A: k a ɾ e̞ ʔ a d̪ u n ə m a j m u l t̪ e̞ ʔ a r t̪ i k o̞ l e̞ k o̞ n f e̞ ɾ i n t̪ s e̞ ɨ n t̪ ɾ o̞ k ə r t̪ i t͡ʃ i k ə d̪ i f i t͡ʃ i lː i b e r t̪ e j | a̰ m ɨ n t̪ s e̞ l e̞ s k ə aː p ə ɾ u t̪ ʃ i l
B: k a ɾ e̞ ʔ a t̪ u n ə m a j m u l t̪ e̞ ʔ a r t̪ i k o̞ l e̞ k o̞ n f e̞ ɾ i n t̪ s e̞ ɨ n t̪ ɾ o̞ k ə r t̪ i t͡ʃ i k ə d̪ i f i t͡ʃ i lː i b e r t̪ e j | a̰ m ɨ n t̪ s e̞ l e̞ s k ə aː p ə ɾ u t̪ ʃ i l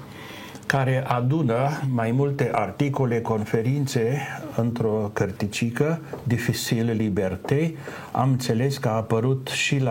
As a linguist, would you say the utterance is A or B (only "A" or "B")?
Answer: A